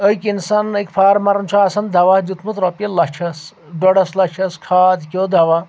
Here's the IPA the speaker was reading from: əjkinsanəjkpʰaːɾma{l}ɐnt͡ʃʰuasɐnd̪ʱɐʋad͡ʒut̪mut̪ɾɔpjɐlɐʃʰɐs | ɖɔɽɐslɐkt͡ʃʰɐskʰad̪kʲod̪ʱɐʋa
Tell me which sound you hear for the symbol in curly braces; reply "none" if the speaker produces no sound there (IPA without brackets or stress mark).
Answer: ɾ